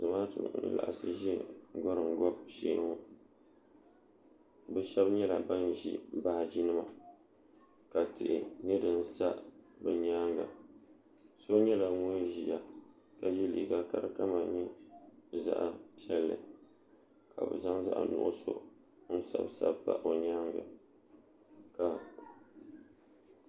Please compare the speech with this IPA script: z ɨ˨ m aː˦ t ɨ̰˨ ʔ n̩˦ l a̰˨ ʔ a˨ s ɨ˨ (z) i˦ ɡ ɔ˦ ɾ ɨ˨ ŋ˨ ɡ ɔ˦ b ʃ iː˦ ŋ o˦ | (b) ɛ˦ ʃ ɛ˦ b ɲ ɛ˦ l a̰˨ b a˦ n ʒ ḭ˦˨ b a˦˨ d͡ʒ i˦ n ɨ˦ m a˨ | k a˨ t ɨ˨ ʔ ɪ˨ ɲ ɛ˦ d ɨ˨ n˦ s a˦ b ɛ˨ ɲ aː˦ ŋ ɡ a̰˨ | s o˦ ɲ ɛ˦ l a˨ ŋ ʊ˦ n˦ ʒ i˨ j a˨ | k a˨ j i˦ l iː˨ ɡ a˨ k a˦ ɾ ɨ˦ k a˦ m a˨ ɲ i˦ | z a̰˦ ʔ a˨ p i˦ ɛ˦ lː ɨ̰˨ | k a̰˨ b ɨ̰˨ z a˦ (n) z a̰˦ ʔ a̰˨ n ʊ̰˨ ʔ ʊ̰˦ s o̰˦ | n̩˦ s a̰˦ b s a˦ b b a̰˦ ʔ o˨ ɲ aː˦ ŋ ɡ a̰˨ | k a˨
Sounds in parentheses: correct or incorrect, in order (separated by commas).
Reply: incorrect, correct, incorrect